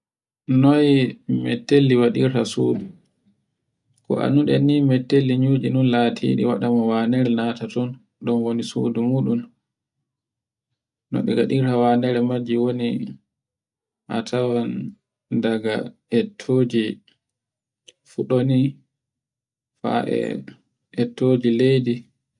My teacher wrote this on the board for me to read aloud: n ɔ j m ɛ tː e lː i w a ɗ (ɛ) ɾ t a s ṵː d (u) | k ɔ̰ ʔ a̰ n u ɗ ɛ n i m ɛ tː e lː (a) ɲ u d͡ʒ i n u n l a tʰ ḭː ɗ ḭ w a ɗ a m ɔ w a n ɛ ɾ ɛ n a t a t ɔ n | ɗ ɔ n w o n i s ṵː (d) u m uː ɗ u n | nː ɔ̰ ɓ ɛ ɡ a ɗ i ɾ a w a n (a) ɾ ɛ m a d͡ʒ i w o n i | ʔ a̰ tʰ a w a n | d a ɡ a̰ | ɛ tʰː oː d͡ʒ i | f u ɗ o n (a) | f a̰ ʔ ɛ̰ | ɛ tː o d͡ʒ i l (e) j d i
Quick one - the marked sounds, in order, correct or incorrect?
incorrect, correct, incorrect, correct, incorrect, incorrect, correct

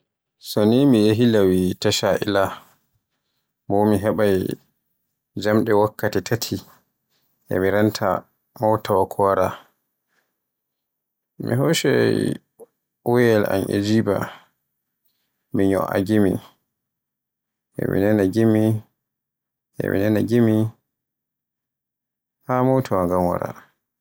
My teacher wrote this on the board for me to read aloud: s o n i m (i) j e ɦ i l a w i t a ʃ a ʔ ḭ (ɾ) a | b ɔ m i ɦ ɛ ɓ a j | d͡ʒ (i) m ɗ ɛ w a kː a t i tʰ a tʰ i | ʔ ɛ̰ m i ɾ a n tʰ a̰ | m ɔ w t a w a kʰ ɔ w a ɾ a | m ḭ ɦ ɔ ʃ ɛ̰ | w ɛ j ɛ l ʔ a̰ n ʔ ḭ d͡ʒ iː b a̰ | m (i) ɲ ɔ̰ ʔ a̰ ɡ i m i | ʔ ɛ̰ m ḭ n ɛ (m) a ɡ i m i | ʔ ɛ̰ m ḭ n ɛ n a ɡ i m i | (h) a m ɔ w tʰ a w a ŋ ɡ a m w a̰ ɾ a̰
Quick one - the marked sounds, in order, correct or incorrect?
correct, incorrect, incorrect, correct, incorrect, correct

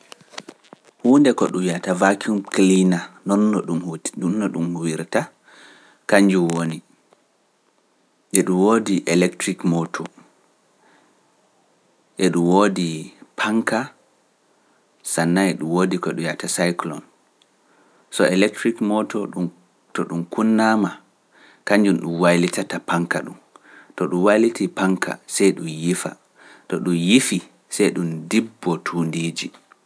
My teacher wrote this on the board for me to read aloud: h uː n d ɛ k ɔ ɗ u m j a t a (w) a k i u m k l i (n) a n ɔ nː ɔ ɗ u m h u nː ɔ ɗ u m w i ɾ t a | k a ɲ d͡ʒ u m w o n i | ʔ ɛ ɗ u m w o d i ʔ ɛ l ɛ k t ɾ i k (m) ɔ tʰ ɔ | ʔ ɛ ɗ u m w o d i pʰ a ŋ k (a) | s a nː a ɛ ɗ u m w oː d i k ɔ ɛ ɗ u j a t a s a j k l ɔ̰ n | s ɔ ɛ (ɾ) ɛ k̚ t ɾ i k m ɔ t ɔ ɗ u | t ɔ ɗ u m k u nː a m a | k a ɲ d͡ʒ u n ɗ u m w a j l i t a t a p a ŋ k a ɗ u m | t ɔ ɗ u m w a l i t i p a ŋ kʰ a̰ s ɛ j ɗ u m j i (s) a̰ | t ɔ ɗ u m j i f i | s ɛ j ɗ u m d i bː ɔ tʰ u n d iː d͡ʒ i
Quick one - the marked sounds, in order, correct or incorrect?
incorrect, correct, correct, correct, incorrect, incorrect

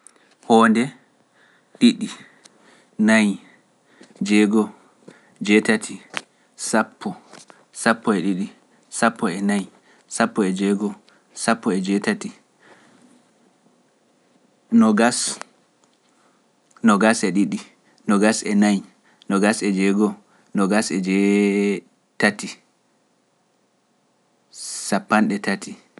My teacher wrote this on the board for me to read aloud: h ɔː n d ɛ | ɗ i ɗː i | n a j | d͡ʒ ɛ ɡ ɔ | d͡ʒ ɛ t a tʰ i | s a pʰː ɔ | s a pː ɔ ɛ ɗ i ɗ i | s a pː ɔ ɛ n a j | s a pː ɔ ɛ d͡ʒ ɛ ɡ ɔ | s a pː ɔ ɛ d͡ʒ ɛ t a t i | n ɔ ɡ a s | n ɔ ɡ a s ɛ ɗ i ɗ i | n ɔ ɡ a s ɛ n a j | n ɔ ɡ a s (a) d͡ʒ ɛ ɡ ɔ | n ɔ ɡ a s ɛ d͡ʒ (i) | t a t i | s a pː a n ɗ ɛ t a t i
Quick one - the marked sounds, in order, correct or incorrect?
incorrect, incorrect

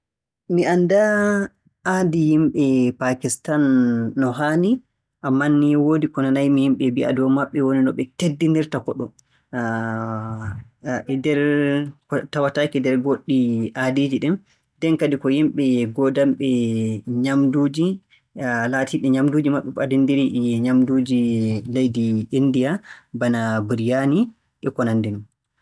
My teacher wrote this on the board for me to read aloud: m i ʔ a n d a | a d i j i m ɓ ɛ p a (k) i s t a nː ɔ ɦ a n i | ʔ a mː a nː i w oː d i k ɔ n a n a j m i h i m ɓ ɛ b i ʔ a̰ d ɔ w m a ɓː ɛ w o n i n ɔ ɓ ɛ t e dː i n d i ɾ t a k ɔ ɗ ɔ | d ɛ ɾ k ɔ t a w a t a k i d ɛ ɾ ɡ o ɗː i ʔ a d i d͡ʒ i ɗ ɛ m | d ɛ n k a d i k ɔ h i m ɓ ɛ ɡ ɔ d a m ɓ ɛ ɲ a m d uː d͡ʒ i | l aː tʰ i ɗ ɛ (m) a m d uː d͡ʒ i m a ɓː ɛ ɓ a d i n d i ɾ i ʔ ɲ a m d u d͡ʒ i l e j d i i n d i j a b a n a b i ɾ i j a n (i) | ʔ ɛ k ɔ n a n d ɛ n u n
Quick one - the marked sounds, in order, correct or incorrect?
correct, incorrect, correct

